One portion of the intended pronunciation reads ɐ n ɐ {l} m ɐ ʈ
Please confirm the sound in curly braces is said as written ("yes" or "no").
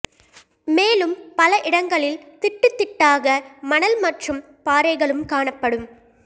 yes